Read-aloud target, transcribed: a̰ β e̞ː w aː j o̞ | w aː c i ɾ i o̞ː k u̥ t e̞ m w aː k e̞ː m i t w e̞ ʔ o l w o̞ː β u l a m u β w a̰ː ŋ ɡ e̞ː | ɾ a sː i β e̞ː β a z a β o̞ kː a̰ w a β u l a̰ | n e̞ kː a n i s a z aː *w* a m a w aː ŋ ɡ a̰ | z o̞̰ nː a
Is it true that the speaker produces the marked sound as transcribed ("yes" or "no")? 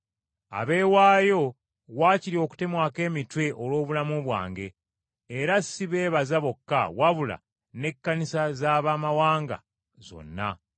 no